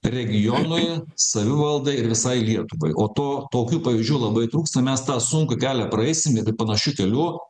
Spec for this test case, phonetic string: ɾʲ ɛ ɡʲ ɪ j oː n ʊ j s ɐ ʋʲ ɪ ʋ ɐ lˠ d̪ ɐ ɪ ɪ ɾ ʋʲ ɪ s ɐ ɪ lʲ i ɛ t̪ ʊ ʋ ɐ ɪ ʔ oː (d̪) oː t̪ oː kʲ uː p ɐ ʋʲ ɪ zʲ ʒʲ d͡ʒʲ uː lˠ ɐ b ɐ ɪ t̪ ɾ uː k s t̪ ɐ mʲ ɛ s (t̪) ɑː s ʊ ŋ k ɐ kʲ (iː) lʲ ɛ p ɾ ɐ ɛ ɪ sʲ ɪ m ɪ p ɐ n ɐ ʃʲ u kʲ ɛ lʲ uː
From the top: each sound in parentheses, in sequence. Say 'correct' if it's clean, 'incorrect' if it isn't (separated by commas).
incorrect, correct, incorrect